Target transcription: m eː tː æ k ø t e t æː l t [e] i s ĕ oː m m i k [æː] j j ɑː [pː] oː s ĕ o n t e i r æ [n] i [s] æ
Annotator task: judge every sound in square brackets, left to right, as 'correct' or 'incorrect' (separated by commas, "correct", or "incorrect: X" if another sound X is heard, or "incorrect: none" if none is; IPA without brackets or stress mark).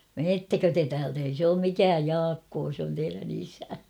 correct, correct, incorrect: kː, correct, correct